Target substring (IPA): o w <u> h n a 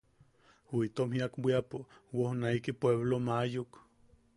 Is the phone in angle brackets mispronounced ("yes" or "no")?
yes